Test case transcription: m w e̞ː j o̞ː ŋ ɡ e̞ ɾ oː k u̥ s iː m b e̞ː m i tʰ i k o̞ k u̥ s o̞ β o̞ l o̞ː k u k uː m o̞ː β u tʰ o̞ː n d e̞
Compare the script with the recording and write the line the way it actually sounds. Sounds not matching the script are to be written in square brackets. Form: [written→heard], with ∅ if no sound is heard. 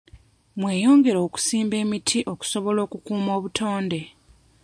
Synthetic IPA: m w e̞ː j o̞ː ŋ ɡ e̞ ɾ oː k u̥ s iː m b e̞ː m i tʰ i [k→ʔ] o̞ k u̥ s o̞ β o̞ l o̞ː k u k uː m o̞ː β u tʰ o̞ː n d e̞